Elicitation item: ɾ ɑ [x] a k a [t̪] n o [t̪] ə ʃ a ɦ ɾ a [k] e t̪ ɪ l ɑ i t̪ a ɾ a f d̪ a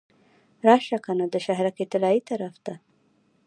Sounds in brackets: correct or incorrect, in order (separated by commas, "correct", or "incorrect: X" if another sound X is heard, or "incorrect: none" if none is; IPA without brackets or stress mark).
incorrect: ʃ, incorrect: none, incorrect: d̪, correct